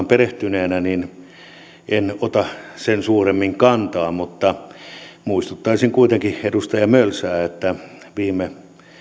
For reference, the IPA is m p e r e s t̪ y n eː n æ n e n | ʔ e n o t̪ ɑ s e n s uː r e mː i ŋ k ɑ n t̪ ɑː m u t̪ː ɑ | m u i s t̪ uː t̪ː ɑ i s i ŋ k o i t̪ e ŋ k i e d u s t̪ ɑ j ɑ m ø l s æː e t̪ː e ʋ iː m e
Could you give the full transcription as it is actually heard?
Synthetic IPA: m p e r e h t̪ y n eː n æ n i n | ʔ e n o t̪ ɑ s e n s uː r e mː i ŋ k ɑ n t̪ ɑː m u t̪ː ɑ | m u i s t̪ u t̪ː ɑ i s i ŋ k u i t̪ e ŋ k i e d u s t̪ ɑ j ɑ m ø l s æː e t̪ː æ ʋ iː m e